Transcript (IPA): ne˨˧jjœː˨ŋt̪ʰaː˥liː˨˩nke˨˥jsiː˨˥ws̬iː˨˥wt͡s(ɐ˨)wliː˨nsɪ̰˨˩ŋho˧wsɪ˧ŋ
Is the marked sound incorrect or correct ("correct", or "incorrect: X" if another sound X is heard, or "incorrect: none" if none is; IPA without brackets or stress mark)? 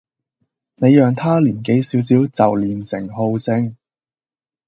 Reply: correct